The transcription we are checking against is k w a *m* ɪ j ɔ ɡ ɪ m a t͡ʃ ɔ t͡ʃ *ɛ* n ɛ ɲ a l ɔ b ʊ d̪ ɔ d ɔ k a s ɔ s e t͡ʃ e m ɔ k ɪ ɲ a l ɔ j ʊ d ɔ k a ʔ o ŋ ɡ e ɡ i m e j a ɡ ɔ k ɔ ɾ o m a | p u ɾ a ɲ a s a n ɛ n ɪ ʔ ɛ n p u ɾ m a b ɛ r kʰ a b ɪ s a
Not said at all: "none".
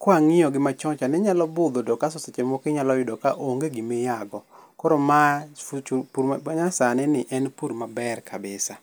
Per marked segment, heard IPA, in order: ŋ, a

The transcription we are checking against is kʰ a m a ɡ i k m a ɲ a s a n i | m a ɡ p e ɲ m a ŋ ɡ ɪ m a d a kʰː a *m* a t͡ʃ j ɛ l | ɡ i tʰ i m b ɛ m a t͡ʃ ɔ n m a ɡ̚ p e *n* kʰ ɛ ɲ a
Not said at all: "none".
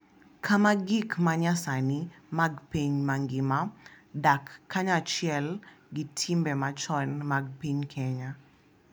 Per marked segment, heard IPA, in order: ɲ, ɲ

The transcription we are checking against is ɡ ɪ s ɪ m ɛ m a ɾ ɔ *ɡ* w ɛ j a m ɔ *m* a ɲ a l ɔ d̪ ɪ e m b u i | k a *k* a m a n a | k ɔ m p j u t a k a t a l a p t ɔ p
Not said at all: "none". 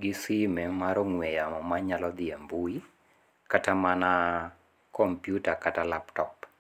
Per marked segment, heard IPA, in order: ŋ, m, t

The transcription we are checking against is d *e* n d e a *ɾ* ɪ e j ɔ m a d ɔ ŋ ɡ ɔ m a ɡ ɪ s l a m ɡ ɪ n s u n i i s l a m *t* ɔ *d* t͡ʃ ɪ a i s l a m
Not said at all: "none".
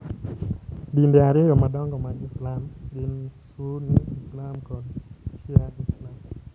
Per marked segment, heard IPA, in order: i, ɾ, k, n

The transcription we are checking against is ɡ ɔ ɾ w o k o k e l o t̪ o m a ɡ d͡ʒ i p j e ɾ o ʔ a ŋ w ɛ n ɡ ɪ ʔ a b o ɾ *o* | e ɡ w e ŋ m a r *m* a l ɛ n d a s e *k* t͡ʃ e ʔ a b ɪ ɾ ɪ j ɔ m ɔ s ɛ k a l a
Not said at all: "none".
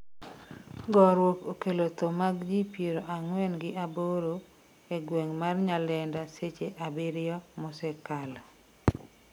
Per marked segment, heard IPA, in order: o, ɲ, none

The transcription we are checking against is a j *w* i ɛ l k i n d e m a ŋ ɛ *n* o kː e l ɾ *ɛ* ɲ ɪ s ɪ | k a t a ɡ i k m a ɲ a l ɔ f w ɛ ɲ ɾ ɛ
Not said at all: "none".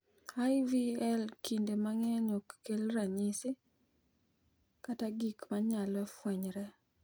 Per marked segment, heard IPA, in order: v, ɲ, a

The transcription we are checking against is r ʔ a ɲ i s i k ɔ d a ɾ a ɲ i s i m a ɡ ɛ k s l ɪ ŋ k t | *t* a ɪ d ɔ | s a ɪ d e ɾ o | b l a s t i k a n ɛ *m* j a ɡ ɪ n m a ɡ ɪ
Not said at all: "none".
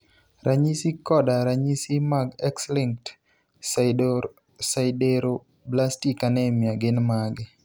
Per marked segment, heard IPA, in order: s, m

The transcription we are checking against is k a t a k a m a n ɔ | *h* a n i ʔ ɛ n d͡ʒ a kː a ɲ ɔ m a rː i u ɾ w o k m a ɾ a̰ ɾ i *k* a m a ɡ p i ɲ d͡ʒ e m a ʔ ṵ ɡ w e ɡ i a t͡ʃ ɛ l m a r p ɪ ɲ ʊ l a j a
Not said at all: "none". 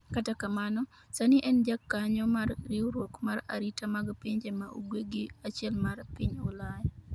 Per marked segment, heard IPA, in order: s, t

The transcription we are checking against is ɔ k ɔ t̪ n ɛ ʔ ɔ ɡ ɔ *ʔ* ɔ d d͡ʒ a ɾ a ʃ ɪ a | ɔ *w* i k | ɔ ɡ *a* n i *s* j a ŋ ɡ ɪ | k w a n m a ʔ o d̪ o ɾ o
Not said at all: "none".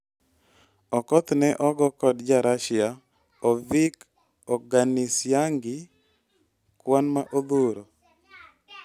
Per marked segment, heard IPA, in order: k, v, a, s

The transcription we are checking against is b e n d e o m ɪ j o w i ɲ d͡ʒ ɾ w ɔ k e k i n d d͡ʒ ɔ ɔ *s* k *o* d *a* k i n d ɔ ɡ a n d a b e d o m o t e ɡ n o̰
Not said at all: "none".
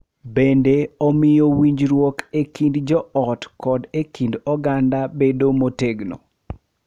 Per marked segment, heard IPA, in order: t, ɔ, e

